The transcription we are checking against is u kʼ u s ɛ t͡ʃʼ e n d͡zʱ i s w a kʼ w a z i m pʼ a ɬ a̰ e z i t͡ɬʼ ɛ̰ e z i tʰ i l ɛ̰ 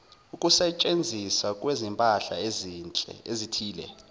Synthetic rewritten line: u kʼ u s ɛ t͡ʃʼ e n d͡zʱ i s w a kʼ w e z i m pʼ a ɬ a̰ e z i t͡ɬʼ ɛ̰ e z i tʰ iː l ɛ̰